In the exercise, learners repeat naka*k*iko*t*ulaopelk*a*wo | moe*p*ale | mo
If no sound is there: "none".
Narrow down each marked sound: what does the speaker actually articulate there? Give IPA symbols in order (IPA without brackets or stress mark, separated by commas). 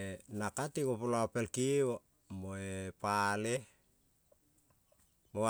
t, p, i, p